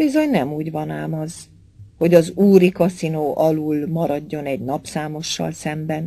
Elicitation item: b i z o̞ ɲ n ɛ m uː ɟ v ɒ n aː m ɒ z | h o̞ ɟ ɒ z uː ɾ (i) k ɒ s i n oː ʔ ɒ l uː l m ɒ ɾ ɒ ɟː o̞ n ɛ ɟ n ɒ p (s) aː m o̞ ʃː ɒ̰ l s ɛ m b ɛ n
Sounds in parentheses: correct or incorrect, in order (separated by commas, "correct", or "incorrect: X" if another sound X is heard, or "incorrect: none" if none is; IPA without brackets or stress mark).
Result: correct, correct